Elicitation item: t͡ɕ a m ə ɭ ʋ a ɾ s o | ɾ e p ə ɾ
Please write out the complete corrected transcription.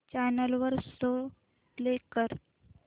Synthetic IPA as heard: t͡ɕ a n ə l ʋ ə ɾ s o | l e k ə ɾ